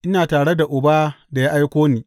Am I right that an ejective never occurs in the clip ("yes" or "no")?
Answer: yes